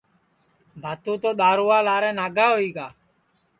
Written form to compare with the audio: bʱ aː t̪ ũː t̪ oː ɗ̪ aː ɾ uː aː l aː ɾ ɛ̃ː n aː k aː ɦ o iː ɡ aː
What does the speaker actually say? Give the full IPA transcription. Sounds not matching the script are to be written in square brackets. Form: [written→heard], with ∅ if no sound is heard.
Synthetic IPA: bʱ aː t̪ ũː t̪ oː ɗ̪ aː ɾ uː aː l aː ɾ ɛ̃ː n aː [k→ɡ] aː ɦ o iː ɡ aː